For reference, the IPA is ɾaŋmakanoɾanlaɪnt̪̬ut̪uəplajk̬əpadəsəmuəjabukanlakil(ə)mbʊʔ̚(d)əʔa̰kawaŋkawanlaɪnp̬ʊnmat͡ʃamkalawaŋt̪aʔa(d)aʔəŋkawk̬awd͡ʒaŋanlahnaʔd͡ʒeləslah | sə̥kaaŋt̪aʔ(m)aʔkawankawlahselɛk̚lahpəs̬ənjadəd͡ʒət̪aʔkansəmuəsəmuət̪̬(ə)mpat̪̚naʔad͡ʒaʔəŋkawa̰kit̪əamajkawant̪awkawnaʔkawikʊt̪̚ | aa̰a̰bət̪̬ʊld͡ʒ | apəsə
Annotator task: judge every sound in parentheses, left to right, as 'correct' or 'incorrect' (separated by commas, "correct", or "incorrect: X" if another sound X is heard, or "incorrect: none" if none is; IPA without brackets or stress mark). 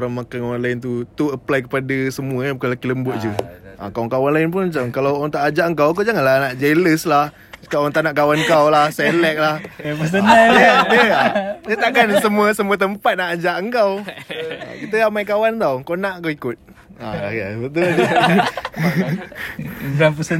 correct, incorrect: d͡ʒ, incorrect: d͡ʒ, incorrect: n, correct